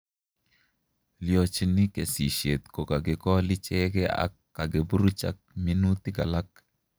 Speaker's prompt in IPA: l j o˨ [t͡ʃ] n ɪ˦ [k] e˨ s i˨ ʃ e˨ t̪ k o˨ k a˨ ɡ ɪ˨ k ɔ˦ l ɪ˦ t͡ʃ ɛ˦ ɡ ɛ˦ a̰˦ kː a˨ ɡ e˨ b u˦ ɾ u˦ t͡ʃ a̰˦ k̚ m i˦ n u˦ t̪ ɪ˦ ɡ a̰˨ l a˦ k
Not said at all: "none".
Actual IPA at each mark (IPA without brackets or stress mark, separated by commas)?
t͡ʃ, k